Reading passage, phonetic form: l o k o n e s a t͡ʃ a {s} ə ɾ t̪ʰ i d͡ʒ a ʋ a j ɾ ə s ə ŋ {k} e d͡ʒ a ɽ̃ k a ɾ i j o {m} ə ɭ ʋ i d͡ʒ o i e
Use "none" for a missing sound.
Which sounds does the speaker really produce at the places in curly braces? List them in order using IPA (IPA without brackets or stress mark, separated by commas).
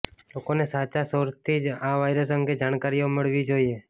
s, ɡ, m